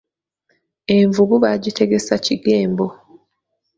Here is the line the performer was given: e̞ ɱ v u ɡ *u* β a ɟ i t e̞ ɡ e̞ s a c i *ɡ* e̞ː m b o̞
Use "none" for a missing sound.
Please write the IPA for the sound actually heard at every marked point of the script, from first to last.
u, ɡ

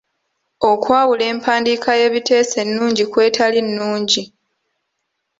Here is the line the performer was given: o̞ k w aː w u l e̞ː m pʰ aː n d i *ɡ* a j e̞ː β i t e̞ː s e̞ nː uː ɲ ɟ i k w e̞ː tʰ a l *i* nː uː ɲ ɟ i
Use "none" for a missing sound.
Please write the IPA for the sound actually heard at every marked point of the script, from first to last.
k, i

